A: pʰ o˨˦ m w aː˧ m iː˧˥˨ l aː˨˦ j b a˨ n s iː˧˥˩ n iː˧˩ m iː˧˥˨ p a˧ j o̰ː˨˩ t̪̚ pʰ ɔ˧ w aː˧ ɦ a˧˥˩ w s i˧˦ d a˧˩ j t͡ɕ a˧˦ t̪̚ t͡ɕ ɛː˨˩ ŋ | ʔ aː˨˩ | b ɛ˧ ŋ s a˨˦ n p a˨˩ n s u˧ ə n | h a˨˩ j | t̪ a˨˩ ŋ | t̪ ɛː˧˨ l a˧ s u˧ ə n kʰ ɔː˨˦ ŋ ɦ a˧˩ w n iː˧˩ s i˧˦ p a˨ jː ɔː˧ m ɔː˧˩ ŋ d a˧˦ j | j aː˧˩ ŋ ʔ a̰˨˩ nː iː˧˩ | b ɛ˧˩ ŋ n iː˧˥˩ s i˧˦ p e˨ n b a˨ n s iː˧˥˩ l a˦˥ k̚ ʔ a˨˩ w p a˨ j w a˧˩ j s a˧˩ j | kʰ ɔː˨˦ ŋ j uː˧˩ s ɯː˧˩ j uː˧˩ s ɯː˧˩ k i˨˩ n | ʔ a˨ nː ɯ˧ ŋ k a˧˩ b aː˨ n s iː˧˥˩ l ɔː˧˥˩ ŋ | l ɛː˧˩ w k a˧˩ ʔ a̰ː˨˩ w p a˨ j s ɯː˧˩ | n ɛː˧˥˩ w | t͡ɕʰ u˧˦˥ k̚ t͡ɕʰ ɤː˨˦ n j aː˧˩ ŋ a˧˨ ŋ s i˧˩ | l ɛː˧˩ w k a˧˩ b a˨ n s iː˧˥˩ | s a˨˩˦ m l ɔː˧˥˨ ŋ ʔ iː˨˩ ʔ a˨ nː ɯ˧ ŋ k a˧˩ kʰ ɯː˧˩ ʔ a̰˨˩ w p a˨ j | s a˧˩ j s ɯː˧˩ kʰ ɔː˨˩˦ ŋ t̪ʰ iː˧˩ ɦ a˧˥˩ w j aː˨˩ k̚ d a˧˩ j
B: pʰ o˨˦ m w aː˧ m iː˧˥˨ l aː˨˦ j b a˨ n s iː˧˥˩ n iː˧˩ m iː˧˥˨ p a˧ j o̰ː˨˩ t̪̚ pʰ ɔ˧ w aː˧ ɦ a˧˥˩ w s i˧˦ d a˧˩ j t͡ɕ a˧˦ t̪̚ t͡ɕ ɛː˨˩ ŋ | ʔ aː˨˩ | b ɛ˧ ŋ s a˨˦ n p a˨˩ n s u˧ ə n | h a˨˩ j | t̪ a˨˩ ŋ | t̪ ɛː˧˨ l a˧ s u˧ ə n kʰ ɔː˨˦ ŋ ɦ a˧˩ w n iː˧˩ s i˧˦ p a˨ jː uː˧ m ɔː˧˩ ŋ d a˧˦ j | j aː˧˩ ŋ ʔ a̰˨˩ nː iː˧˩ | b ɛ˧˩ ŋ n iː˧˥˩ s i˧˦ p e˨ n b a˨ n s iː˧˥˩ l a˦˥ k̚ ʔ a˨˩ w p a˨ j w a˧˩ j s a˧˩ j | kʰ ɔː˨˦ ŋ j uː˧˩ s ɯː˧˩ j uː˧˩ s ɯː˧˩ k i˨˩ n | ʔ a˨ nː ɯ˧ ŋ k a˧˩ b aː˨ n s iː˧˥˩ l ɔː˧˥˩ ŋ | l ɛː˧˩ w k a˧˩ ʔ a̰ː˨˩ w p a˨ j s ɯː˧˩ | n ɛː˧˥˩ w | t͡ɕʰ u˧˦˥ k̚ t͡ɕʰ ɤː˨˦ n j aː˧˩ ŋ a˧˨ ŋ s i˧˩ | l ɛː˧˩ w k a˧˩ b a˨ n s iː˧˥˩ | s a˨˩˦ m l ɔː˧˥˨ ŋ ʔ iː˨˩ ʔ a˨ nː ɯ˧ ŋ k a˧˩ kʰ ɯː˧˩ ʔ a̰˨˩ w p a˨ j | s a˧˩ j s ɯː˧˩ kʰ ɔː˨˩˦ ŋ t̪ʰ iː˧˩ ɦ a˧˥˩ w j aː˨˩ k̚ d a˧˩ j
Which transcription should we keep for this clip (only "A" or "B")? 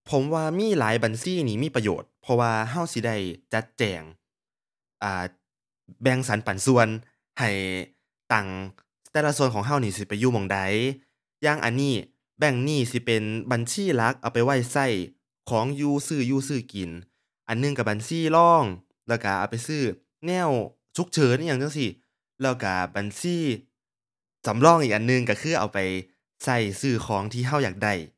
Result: B